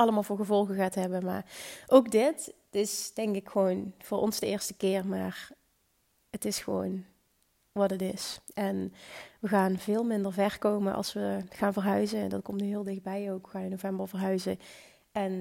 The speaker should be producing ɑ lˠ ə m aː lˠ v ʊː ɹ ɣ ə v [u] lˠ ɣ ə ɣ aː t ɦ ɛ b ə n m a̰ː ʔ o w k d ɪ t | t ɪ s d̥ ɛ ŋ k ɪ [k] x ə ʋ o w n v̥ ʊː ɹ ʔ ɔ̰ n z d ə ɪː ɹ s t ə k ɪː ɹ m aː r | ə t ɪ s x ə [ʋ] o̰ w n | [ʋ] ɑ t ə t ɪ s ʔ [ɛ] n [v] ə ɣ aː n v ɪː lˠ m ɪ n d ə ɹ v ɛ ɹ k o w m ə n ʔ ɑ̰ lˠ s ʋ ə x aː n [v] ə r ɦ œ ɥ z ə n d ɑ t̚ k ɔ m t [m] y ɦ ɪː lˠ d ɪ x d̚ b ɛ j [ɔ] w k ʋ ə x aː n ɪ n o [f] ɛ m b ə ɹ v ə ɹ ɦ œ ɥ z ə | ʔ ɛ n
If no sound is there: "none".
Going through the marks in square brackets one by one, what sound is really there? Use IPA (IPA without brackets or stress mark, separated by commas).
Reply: ɔ, k, ʋ, ʋ, ɛ, ʋ, v, n, o, v